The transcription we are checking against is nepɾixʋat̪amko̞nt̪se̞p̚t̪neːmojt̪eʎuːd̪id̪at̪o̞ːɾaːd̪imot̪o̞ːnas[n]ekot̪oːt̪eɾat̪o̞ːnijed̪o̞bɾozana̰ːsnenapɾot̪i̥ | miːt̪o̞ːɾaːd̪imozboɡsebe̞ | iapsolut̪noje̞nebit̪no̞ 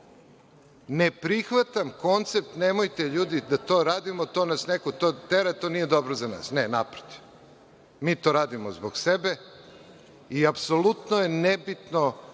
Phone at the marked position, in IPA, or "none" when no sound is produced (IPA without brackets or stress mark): n